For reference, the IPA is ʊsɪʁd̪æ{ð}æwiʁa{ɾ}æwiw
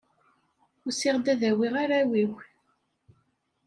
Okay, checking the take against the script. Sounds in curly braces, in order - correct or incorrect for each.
correct, correct

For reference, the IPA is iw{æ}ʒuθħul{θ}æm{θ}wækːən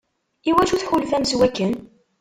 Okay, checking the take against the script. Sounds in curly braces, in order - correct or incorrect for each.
correct, incorrect, incorrect

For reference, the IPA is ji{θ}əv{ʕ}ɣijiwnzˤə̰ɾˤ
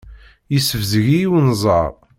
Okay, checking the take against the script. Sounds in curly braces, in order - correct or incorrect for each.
incorrect, incorrect

